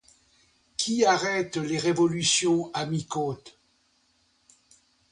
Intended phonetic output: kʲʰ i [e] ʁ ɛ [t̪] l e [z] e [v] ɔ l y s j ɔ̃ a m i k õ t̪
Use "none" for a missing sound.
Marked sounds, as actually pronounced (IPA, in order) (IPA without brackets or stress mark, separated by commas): a, t̪, ʁ, v